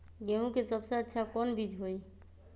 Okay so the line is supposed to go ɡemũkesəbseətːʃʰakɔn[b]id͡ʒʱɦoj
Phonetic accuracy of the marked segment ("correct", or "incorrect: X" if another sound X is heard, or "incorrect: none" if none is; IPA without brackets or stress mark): correct